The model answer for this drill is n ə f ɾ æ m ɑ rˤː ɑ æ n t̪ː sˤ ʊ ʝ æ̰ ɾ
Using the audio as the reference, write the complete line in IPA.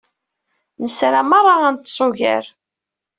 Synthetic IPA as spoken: n ə s ɾ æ m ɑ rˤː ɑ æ n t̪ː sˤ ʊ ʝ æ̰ ɾ